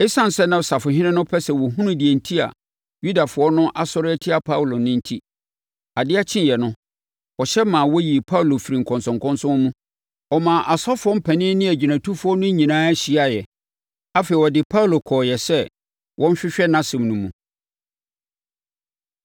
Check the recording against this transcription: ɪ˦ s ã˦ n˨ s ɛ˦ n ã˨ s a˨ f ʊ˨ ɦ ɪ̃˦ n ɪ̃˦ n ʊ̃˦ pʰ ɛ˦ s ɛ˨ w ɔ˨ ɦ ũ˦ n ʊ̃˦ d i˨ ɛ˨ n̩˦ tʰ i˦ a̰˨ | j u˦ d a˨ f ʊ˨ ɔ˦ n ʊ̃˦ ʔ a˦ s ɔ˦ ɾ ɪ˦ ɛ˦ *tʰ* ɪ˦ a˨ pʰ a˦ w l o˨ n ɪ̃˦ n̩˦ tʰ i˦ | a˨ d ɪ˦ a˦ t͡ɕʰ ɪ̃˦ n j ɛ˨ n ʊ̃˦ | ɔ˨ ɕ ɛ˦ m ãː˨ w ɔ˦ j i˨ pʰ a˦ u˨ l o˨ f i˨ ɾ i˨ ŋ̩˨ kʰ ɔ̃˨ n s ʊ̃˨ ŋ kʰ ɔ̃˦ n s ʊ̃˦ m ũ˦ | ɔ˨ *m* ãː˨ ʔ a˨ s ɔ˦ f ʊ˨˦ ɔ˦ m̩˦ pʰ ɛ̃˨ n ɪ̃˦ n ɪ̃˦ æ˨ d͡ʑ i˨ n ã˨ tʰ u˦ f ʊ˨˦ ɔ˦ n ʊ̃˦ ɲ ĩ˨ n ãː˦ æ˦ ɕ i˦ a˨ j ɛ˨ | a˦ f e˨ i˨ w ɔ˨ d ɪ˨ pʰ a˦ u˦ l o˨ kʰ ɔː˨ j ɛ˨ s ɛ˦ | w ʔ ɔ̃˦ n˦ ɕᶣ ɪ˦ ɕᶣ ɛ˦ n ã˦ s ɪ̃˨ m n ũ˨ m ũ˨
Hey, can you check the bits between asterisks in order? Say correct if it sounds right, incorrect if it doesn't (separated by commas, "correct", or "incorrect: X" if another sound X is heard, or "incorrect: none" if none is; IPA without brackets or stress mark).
correct, correct